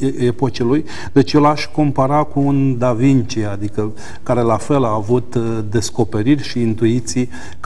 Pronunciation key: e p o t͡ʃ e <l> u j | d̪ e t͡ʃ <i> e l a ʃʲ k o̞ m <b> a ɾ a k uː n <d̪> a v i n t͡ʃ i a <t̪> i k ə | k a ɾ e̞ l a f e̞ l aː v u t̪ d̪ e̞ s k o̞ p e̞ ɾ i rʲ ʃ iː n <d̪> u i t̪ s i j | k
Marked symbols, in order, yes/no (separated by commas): yes, no, no, yes, no, no